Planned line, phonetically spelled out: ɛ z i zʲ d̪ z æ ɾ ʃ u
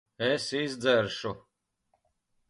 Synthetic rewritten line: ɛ s i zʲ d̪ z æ ɾ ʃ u